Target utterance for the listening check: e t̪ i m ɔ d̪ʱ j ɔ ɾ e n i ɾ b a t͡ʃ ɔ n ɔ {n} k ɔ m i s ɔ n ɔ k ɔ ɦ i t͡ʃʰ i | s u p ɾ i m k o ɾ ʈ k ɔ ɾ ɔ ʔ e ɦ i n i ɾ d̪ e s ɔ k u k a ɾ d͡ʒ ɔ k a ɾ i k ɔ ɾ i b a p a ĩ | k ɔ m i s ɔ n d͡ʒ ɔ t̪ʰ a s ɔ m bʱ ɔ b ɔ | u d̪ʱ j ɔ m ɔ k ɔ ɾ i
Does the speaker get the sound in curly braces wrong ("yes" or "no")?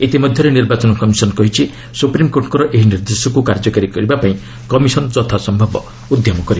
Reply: yes